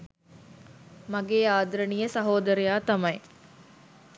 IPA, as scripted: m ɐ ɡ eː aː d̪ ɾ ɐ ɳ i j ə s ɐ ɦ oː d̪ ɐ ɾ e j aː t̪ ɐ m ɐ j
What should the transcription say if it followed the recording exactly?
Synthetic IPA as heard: m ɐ ɡ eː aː d̪ ɾ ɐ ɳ i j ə s ɐ ɦ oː d̪ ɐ ɾ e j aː t̪ ɐ m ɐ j